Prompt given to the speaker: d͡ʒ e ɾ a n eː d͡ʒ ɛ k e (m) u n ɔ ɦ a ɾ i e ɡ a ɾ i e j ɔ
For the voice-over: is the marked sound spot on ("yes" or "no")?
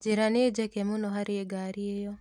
yes